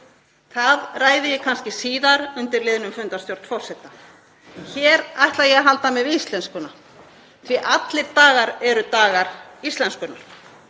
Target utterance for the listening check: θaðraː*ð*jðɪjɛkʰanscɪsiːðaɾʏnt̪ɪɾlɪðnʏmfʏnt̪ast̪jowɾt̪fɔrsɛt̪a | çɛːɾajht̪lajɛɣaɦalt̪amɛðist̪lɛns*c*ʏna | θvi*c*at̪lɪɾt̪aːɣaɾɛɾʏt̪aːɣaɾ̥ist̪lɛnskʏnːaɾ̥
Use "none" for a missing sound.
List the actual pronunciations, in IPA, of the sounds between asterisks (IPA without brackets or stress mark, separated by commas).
none, k, ʔ